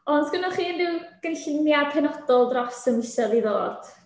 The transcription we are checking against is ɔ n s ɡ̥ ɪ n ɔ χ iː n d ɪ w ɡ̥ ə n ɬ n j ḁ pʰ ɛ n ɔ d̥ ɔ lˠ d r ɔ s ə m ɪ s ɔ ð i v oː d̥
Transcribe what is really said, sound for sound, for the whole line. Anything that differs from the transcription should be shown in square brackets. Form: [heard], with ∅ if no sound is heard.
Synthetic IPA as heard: ɔ n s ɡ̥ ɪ n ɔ χ iː n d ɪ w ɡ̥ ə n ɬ n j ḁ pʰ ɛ n ɔ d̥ ɔ lˠ d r ɔ s ə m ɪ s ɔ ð i [ð] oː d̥